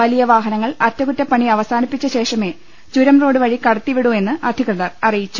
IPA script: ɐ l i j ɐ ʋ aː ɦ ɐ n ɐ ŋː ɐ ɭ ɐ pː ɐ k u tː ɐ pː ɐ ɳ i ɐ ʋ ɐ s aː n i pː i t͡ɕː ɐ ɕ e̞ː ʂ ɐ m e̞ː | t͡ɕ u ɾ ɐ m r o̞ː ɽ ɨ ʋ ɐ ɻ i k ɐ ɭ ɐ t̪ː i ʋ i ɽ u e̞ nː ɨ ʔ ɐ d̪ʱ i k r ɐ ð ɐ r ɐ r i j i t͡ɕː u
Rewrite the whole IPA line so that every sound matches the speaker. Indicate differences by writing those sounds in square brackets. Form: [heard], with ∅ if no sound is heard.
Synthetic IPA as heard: ɐ l i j ɐ ʋ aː ɦ ɐ n ɐ ŋː ɐ ɭ ɐ [tː] ɐ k u tː ɐ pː ɐ ɳ i ɐ ʋ ɐ s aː n i pː i t͡ɕː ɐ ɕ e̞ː ʂ ɐ m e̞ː | t͡ɕ u ɾ ɐ m r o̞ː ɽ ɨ ʋ ɐ ɻ i k ɐ [ɽ] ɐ t̪ː i ʋ i ɽ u e̞ nː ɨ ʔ ɐ d̪ʱ i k r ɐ ð ɐ r ɐ r i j i t͡ɕː u